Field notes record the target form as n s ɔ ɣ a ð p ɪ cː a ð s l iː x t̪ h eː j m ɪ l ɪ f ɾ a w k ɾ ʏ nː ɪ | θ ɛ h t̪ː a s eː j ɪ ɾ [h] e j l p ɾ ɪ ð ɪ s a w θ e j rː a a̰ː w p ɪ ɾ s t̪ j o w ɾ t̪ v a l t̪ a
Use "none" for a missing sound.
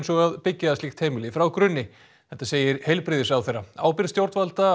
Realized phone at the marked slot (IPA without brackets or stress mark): h